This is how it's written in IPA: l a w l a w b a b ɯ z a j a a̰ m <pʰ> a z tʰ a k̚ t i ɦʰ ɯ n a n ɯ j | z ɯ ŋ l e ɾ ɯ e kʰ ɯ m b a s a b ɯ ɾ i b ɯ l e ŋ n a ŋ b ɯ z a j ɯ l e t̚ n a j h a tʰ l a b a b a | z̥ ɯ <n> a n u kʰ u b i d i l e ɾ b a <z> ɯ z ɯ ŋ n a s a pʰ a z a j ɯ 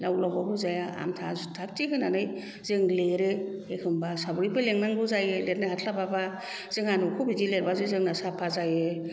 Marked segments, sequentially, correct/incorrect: incorrect, incorrect, correct

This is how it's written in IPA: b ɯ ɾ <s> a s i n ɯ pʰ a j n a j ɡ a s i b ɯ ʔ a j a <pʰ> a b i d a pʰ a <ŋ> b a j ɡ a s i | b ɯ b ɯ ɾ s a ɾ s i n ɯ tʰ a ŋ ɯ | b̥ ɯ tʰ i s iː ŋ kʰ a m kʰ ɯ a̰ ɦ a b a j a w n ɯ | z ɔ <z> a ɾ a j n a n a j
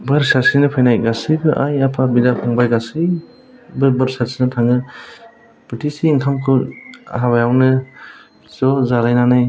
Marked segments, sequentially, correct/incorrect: correct, correct, correct, correct

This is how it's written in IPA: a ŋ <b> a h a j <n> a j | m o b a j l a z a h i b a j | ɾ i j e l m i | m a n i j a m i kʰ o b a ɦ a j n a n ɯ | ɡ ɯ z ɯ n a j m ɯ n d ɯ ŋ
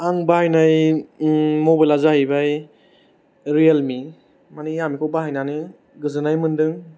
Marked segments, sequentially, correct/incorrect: correct, correct

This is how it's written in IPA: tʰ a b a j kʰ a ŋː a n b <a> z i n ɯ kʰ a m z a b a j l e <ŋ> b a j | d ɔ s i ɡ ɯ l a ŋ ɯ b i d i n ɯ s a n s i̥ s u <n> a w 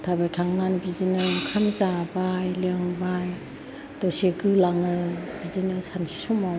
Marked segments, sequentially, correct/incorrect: incorrect, correct, incorrect

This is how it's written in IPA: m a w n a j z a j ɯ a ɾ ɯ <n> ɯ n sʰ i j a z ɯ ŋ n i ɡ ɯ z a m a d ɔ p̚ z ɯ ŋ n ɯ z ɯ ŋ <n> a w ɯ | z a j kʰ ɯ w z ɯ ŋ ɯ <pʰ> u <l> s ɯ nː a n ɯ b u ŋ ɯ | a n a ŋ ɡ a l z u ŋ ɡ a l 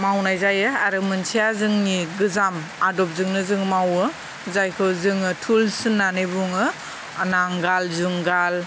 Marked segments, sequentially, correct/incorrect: incorrect, incorrect, incorrect, correct

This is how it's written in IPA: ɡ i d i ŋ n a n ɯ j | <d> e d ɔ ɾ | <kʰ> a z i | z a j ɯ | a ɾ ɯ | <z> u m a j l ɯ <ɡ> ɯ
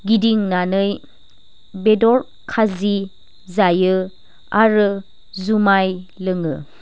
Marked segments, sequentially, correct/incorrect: incorrect, correct, correct, incorrect

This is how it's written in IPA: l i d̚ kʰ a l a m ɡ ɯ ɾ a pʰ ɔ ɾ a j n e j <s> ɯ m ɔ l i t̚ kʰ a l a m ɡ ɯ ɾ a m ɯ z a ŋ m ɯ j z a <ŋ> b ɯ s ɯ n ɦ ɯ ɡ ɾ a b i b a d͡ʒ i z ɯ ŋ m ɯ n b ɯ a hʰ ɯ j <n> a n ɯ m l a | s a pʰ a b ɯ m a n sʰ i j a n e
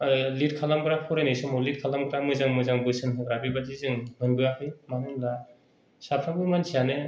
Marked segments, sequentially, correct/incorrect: correct, correct, incorrect

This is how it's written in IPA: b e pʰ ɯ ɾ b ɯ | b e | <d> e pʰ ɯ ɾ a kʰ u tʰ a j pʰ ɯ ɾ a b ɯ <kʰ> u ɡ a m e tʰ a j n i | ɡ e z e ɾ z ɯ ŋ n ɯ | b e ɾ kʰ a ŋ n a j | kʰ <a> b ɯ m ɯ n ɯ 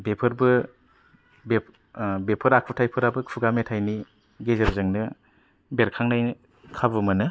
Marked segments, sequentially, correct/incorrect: incorrect, correct, correct

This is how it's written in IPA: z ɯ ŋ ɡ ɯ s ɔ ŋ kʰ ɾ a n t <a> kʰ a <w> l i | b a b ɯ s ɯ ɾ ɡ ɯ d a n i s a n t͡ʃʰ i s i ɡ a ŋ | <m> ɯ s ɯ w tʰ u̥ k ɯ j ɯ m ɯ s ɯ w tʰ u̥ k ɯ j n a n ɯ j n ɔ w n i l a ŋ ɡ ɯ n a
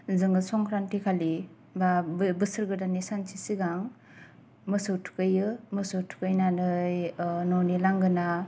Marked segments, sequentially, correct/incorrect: incorrect, incorrect, correct

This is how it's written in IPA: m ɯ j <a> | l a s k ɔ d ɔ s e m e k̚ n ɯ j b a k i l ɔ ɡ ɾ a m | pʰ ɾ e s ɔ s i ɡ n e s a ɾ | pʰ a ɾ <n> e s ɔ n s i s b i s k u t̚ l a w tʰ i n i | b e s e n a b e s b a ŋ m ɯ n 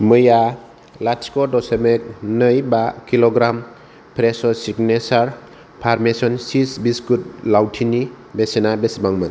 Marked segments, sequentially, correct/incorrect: correct, incorrect

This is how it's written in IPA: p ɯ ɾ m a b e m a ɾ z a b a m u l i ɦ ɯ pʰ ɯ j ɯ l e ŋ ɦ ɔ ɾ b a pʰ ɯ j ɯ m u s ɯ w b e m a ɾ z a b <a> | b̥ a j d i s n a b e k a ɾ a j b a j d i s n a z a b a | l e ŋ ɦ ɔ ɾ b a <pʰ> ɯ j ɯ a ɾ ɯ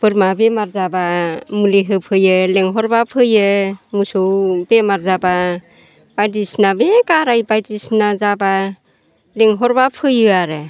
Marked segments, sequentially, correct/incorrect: correct, correct

